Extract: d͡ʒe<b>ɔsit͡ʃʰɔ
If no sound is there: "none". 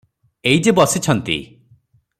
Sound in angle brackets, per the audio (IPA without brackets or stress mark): b